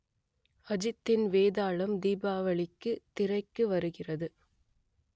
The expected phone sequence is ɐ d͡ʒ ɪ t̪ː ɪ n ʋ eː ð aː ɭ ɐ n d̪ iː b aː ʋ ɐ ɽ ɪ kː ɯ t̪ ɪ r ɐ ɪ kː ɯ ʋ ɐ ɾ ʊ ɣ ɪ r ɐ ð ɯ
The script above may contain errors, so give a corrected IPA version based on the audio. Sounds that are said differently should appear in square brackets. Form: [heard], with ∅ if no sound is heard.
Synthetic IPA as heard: ɐ d͡ʒ ɪ t̪ː ɪ n ʋ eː ð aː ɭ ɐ [m] d̪ iː b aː ʋ ɐ [ɭ] ɪ kː ɯ t̪ ɪ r ɐ ɪ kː ɯ ʋ ɐ ɾ [ɯ] ɣ ɪ r ɐ ð ɯ